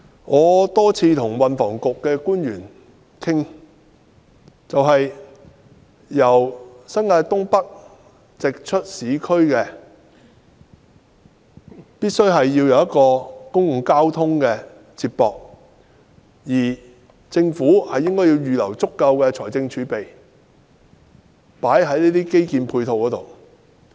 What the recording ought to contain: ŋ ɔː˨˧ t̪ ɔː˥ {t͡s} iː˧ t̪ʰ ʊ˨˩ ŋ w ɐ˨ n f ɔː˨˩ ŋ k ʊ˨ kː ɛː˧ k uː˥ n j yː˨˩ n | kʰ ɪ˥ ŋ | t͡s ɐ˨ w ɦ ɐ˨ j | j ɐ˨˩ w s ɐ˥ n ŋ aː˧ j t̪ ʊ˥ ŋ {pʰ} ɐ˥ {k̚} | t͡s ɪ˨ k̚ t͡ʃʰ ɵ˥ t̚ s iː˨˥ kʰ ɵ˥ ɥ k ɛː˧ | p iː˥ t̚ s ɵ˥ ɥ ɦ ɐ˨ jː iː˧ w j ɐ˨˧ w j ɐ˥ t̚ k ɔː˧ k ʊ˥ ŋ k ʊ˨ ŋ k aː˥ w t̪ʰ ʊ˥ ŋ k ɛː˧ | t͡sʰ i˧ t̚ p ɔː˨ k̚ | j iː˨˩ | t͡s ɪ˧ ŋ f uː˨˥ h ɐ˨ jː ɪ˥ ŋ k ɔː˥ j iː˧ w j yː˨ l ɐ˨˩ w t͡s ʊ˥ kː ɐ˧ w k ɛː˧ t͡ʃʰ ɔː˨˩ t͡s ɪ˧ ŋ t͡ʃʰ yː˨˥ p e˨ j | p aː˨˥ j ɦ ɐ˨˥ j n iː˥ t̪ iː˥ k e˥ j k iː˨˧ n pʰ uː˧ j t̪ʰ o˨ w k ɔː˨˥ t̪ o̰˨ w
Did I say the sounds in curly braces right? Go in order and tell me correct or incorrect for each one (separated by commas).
incorrect, incorrect, correct